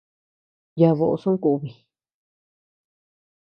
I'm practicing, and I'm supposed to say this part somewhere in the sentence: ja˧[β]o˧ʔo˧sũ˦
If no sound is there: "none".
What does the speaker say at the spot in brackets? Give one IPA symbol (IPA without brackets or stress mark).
β